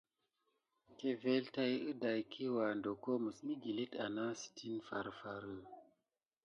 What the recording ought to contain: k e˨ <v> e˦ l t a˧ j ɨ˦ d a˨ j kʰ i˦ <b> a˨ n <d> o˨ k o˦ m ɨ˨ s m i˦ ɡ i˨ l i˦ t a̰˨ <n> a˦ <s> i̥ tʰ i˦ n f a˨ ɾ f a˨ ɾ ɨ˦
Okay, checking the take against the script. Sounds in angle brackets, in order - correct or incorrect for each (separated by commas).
correct, incorrect, correct, correct, correct